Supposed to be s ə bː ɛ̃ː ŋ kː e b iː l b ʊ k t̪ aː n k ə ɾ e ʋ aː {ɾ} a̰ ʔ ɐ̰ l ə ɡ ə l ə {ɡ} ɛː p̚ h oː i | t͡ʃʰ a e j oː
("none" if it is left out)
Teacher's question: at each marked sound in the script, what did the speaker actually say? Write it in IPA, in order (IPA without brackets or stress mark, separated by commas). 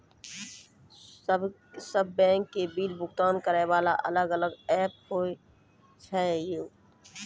l, ɡ